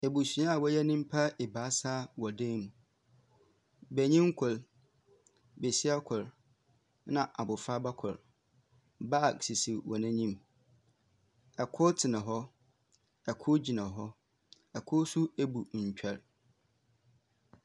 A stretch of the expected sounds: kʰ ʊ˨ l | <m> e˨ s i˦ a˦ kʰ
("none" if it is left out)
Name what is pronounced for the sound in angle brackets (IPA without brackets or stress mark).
b